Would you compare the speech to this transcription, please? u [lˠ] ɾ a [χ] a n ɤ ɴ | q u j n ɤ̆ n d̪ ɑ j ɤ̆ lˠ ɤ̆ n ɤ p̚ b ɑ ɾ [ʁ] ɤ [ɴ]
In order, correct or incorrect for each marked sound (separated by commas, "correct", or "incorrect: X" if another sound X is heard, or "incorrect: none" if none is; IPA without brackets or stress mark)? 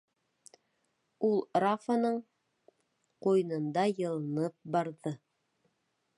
correct, incorrect: f, incorrect: ð, incorrect: none